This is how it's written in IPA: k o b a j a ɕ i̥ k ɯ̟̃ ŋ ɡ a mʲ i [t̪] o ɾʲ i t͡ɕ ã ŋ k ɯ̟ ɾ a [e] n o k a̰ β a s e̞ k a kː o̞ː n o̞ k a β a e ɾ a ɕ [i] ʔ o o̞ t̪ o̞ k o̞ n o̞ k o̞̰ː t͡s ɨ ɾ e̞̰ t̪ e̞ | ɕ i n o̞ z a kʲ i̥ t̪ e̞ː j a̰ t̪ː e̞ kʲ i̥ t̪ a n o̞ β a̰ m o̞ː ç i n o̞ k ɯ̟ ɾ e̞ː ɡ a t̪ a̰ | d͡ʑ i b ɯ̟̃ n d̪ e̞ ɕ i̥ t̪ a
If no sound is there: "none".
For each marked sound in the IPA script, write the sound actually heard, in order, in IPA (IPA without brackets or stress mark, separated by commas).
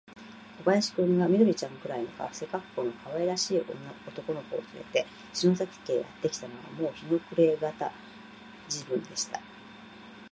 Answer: d̪, i, iː